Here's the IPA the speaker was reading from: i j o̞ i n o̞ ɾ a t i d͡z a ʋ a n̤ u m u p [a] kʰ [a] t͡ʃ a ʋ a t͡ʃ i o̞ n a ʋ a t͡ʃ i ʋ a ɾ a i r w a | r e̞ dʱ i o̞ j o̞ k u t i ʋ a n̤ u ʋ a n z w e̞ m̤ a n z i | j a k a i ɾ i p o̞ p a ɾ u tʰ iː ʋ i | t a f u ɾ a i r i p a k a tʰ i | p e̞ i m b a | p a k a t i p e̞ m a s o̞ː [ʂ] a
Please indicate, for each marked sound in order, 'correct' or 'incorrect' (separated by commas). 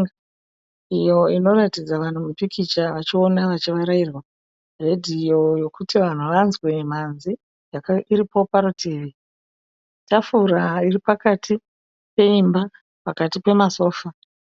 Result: incorrect, incorrect, incorrect